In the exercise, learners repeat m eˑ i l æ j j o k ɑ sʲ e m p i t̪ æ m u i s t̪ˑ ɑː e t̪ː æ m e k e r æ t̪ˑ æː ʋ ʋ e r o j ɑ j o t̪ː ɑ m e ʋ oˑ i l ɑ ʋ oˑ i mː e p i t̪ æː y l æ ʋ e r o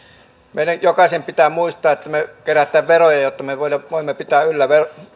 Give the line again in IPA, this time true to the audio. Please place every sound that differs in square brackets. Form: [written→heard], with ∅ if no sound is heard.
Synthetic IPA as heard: m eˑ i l æ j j o k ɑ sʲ e m p i t̪ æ m u i s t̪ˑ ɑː e t̪ː æ m e k e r æ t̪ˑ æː ʋ ʋ e r o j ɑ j o t̪ː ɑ m e ʋ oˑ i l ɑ ʋ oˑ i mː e p i t̪ æː y [l→lː] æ ʋ e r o

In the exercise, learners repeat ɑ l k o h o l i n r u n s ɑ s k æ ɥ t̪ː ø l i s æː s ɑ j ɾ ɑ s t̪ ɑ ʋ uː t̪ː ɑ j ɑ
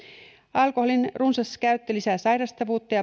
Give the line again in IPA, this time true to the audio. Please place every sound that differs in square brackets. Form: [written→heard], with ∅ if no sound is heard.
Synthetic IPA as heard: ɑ l k o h o l i n r u n s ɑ s k æ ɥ t̪ː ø l i s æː s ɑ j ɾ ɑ s t̪ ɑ ʋ uː t̪ː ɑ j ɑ

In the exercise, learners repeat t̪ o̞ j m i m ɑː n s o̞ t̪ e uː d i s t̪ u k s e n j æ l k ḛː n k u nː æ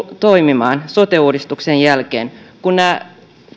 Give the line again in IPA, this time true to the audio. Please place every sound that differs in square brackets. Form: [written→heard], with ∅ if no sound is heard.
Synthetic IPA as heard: t̪ o̞ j m i m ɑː n s o̞ t̪ e uː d i s t̪ u k s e n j æ l k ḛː n k u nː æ

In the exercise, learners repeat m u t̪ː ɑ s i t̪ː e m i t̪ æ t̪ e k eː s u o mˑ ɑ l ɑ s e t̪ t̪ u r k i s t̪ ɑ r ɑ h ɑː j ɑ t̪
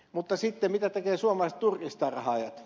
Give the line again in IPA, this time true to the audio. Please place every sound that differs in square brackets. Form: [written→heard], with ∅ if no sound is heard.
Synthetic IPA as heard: m u t̪ː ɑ s i t̪ː e m i t̪ æ t̪ e k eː s u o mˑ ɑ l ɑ s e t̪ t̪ u r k i s t̪ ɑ r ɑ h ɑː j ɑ t̪

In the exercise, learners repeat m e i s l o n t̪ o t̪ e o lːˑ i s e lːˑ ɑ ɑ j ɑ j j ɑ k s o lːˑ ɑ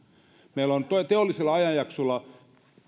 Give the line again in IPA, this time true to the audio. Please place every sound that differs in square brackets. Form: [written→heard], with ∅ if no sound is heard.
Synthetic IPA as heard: m e i [s→∅] l o n t̪ o t̪ e o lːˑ i s e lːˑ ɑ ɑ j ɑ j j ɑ k s o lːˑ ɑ

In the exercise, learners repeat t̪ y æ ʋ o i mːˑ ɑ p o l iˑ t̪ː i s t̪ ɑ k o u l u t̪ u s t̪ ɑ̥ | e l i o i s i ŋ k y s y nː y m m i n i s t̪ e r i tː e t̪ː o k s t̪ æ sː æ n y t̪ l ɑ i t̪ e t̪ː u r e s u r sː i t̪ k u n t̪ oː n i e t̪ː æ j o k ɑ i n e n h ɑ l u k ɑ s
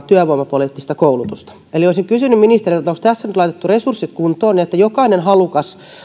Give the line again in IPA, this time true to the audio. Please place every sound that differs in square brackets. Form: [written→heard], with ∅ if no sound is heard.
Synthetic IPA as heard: t̪ y æ ʋ o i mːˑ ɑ p o l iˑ t̪ː i s t̪ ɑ k o u l u t̪ u s t̪ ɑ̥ | e l i o i s i ŋ k y s y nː y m m i n i s t̪ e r i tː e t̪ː o k s t̪ æ sː æ n y t̪ l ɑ i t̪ e t̪ː u r e s u r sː i t̪ k u n t̪ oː n i e t̪ː æ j o k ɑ i n e n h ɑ l u k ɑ s

